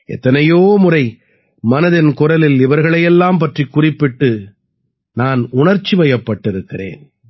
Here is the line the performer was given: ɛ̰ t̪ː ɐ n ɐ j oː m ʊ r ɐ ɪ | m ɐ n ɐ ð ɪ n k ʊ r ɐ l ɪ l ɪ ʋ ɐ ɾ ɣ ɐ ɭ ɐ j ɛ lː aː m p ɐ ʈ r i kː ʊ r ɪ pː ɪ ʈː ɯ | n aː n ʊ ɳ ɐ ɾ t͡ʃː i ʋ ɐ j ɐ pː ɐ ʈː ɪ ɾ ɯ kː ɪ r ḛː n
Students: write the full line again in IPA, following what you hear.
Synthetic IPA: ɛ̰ t̪ː ɐ n ɐ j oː m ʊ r ɐ ɪ | m ɐ n ɐ ð ɪ n k ʊ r ɐ l ɪ l ɪ ʋ ɐ ɾ ɣ ɐ ɭ ɐ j ɛ lː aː m p ɐ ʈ r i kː ʊ r ɪ pː ɪ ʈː ɯ | n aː n ʊ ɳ ɐ ɾ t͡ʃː i ʋ ɐ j ɐ pː ɐ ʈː ɪ ɾ ɯ kː ɪ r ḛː n